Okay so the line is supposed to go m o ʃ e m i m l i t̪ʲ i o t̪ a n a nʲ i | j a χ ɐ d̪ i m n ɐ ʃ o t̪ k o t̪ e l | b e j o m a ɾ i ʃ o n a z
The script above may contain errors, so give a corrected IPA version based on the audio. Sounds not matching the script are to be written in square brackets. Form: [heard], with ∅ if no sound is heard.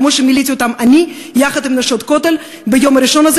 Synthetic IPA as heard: m o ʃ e m i [∅] l i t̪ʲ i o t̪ a [m] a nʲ i | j a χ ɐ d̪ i m n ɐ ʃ o t̪ k o t̪ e l | b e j o m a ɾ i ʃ o n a z